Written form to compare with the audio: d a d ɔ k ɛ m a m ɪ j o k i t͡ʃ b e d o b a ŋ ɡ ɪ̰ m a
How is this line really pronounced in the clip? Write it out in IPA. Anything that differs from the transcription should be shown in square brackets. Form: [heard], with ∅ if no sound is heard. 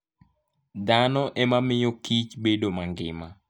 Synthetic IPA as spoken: d a [n] ɔ [ʔ] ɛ m a m ɪ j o k i t͡ʃ b e d o [m] a ŋ ɡ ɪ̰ m a